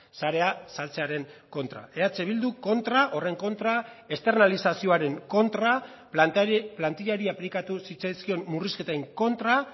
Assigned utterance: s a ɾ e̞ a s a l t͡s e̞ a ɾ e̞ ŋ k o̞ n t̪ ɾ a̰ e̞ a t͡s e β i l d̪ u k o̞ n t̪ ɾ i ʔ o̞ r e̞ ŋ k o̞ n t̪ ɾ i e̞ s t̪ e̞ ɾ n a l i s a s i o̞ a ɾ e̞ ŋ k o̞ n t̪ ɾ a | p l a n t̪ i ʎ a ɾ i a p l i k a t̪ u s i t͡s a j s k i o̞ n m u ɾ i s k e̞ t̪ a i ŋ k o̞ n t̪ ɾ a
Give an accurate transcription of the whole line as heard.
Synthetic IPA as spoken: s a ɾ e̞ a s a l t͡s e̞ a ɾ e̞ ŋ k o̞ n t̪ ɾ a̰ e̞ a t͡s e β i l d̪ u k o̞ n t̪ ɾ a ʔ o̞ r e̞ ŋ k o̞ n t̪ ɾ a e̞ s t̪ e̞ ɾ n a l i s a s i o̞ a ɾ e̞ ŋ k o̞ n t̪ ɾ a | p l a n t̪ i ʎ a ɾ i a p l i k a t̪ u s i t͡s a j s k i o̞ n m u r i s k e̞ t̪ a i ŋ k o̞ n t̪ ɾ a